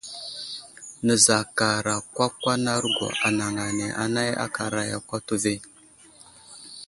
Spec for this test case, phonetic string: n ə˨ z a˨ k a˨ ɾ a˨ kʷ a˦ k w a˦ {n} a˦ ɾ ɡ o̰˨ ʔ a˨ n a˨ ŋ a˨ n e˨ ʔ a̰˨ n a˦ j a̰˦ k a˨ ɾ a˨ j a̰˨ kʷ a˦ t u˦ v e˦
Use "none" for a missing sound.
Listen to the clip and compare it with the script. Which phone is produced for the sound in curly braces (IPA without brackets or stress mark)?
n